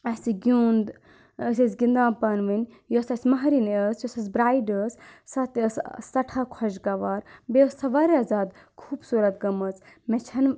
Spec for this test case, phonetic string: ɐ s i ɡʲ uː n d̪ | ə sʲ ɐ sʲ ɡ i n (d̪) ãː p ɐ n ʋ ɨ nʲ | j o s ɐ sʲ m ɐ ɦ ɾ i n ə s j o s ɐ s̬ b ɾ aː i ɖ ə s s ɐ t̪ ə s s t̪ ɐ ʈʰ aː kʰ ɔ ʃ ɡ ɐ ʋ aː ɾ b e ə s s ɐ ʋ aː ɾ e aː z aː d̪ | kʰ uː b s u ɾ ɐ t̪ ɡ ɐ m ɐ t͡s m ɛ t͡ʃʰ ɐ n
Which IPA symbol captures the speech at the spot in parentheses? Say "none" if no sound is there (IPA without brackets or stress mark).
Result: d̪